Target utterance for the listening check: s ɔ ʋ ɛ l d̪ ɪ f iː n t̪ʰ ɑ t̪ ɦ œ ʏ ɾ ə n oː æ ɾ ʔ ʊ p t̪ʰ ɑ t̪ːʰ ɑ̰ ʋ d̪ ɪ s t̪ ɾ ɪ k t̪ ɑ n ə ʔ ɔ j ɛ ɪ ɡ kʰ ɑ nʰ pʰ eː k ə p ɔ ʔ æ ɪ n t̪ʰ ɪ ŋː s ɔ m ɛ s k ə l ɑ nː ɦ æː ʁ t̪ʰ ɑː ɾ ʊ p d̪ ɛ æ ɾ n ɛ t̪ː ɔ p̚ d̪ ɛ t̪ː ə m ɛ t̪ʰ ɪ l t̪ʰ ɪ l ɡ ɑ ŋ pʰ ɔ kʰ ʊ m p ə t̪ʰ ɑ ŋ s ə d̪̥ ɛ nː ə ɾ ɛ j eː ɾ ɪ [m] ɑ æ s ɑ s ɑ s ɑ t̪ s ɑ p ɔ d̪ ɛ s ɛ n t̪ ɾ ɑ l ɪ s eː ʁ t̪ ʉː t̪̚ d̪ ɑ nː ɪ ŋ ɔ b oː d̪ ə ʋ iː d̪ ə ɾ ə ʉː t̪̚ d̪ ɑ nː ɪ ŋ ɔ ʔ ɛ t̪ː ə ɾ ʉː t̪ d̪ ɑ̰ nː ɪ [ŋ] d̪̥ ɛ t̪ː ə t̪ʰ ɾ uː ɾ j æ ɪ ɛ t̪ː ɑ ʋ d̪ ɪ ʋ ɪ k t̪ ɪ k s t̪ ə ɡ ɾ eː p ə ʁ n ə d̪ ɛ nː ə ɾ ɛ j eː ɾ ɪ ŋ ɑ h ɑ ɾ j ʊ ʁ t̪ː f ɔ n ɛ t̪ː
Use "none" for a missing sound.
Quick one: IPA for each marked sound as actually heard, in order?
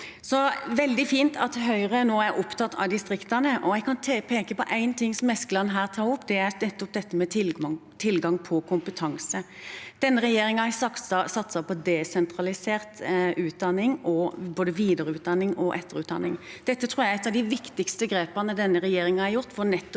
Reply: ŋ, ŋ

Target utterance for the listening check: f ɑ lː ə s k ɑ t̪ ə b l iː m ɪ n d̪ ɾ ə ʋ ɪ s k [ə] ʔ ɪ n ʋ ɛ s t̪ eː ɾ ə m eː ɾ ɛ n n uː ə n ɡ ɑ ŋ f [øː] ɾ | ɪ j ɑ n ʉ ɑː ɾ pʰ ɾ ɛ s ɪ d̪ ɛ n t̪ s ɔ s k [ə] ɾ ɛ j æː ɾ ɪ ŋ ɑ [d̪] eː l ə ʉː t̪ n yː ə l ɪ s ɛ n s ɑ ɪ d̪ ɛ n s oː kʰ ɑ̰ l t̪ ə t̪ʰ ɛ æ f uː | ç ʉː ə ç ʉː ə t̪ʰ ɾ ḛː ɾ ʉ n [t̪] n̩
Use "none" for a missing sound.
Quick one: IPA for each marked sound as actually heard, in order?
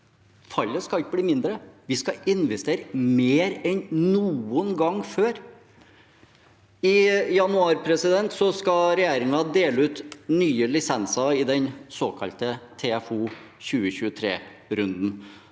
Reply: ɑ, øː, ɑ, d̪, d̪

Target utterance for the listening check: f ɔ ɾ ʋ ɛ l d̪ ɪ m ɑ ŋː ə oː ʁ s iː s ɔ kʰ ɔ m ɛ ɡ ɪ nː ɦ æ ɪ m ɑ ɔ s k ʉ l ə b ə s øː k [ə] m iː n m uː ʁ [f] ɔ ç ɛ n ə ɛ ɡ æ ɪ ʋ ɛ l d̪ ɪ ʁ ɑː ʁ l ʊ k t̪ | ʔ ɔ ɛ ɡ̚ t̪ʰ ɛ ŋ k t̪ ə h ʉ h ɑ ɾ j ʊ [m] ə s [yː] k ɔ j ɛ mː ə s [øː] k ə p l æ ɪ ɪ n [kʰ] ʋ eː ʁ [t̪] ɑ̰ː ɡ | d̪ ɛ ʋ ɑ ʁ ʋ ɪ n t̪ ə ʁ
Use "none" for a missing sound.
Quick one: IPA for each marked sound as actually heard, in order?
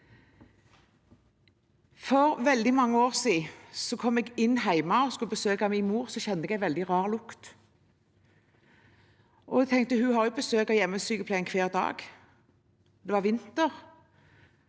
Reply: ɑ, s, b, øː, yː, kʰ, d̪

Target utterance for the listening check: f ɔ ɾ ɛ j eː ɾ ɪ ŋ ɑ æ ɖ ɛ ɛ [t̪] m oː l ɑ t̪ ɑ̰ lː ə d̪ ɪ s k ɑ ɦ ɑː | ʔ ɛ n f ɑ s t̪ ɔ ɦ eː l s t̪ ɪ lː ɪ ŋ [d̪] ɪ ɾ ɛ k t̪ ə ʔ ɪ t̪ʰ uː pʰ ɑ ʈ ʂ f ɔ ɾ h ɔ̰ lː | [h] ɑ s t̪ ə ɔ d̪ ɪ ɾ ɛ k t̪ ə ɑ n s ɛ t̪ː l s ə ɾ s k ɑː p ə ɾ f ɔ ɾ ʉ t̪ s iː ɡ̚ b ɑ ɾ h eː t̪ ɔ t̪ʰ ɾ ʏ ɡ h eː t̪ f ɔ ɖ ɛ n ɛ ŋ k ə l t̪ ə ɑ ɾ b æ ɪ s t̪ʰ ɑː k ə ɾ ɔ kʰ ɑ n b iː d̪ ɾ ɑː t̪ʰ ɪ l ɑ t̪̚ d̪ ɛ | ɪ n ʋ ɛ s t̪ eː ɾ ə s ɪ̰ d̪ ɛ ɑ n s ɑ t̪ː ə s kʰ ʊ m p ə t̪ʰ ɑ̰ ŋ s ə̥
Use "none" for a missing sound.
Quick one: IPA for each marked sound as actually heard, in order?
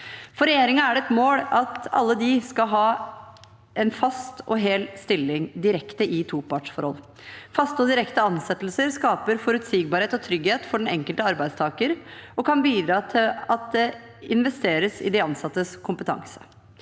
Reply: t̪, d̪, f

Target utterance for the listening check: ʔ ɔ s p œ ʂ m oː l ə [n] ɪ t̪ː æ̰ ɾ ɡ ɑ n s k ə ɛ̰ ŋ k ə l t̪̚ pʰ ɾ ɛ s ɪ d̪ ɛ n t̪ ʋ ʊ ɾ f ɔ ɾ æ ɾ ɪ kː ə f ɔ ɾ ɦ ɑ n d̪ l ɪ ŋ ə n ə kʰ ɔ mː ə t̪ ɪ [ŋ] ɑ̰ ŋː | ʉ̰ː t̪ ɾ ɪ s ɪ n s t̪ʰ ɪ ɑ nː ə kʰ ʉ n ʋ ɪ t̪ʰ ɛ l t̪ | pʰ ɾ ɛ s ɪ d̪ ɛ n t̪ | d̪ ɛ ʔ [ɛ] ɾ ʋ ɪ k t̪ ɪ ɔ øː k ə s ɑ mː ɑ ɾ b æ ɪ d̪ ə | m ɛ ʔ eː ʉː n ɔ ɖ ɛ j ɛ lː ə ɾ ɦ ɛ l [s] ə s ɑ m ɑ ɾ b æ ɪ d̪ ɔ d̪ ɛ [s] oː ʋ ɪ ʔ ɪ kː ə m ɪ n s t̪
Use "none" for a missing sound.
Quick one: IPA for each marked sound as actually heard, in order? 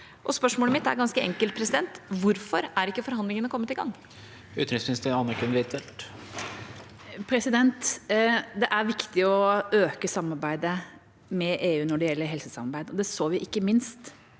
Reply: m, ɡ, æ, s, s

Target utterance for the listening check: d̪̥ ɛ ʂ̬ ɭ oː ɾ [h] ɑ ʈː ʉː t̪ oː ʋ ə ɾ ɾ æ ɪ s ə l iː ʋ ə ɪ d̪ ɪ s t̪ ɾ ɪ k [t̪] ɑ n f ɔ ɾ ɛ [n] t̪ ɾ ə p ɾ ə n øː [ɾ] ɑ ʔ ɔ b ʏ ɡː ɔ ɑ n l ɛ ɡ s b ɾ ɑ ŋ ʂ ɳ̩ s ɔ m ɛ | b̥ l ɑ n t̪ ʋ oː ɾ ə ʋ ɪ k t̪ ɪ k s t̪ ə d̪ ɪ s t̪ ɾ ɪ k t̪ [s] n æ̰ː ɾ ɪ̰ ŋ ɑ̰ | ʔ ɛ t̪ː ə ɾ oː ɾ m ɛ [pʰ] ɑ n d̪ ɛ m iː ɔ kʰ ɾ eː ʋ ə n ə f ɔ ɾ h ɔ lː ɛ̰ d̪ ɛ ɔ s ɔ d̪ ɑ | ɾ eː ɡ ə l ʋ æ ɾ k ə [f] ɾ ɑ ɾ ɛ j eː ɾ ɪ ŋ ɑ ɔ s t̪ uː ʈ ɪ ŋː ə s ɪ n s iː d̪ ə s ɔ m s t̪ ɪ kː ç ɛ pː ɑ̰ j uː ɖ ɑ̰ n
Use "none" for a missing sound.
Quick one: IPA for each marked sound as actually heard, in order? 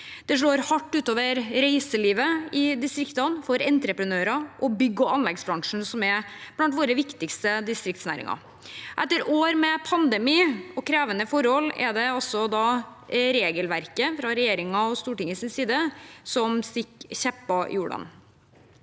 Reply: h, t̪, n, ɾ, s, pʰ, f

